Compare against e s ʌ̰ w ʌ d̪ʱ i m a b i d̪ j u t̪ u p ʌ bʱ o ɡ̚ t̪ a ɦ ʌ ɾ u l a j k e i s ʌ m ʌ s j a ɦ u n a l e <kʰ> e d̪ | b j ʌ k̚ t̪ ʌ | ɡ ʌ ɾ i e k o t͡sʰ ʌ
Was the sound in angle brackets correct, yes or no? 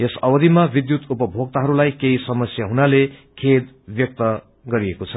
yes